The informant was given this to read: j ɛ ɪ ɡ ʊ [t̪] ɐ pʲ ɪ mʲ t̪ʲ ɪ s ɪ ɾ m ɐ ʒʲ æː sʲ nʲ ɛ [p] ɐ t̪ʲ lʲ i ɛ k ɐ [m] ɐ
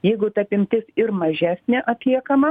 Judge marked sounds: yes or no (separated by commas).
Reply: yes, no, yes